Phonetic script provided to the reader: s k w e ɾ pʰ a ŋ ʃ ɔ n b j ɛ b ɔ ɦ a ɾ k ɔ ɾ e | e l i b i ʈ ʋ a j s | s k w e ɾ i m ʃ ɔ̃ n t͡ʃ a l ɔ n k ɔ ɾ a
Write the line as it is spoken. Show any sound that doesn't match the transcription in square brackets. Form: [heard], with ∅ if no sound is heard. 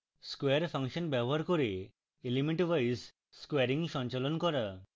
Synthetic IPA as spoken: s k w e ɾ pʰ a ŋ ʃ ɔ n b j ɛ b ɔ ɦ a ɾ k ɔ ɾ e | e l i [m] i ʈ ʋ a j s | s k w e ɾ i [ŋ] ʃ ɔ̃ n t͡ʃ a l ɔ n k ɔ ɾ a